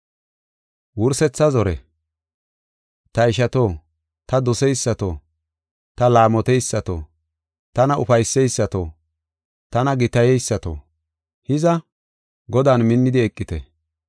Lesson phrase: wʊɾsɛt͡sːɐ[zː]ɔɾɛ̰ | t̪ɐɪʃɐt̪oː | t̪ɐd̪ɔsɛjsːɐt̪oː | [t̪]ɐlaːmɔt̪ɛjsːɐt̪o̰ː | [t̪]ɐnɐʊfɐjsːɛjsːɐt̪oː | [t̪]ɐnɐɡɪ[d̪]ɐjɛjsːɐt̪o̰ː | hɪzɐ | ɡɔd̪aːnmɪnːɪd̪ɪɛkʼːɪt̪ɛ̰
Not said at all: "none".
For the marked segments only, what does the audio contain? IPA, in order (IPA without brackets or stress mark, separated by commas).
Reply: z, t̪, t̪, t̪, t̪